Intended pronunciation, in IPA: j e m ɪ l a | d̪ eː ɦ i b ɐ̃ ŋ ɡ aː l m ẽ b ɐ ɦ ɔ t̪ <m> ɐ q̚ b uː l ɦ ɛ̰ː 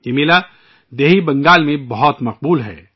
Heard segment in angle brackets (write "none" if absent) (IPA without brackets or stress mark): m